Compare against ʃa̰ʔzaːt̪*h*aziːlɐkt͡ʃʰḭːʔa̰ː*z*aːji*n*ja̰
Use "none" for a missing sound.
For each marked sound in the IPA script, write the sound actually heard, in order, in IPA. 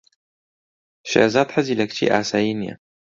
ħ, s, n

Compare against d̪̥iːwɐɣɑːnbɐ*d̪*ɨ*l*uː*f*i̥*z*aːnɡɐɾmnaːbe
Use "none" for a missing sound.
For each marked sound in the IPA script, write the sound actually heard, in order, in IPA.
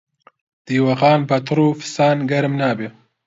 t̪, ɾ, f, s

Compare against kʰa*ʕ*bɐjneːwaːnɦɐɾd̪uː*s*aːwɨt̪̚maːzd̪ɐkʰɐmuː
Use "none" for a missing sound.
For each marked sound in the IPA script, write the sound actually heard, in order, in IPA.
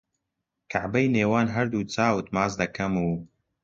ʕ, t͡s

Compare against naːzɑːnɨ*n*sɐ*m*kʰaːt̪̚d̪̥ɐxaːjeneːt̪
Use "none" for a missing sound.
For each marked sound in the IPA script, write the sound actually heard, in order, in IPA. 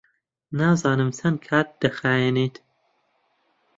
m, n

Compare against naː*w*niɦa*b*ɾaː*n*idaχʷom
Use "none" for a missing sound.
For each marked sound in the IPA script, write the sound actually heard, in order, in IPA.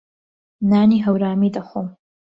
none, w, m

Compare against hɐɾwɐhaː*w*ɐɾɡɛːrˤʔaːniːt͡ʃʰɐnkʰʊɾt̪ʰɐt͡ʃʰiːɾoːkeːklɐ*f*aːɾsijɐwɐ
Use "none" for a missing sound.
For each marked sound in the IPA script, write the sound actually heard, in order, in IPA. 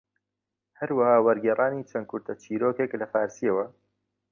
w, f

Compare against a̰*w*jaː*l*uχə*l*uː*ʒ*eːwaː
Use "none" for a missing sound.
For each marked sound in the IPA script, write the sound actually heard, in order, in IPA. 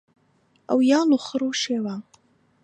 w, l, ɾ, ʃ

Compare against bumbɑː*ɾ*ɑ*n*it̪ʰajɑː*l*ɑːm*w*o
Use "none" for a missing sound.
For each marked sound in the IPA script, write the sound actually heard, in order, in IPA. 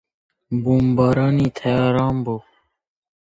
ɾ, n, ɾ, b

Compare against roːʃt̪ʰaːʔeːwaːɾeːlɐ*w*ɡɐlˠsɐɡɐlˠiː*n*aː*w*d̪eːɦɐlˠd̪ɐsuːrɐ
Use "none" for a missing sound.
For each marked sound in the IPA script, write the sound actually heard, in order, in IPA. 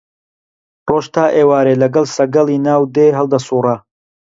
none, n, w

